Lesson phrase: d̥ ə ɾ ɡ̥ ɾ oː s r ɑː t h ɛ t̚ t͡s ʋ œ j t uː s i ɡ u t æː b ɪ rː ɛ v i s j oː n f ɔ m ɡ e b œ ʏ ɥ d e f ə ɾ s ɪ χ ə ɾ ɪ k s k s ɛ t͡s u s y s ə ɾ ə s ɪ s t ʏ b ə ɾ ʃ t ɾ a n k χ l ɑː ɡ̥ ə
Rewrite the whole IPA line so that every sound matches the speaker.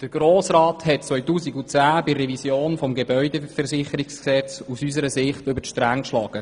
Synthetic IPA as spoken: d̥ ə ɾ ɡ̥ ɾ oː s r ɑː t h ɛ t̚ t͡s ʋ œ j t uː s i ɡ u t͡s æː b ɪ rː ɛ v i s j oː n f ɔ m ɡ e b œ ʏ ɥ d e f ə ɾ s ɪ χ ə ɾ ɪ k s k s ɛ t͡s u s y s ə ɾ ə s ɪ χ t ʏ b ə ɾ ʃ t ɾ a ŋ k ʃ l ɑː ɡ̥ ə